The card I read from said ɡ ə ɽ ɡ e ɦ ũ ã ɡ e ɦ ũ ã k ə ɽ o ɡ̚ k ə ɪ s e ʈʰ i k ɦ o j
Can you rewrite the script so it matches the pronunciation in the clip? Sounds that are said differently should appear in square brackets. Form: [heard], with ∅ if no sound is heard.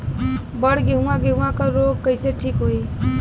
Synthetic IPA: [b] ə ɽ ɡ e ɦ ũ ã ɡ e ɦ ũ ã k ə [ɾ] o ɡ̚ k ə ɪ s e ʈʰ i k ɦ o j